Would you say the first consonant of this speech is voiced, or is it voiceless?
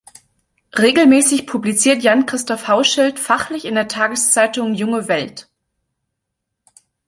voiced